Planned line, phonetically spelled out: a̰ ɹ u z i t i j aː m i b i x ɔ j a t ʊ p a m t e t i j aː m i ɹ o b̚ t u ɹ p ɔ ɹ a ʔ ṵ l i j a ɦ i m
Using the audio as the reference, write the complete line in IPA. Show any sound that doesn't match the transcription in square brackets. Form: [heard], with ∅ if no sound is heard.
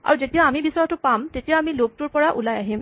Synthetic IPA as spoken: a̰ ɹ u z [e] t i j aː m i b i [s] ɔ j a t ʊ p a m t e t i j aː m i [l] o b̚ t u ɹ p ɔ ɹ a ʔ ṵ l [a] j a ɦ i m